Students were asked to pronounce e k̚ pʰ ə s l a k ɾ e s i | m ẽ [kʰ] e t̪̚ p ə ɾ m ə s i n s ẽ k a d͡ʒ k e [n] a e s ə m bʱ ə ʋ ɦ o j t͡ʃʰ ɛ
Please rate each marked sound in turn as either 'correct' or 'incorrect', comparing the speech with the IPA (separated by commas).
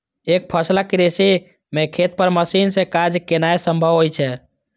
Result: correct, correct